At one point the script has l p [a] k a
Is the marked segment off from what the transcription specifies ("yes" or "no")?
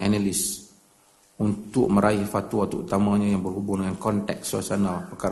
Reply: yes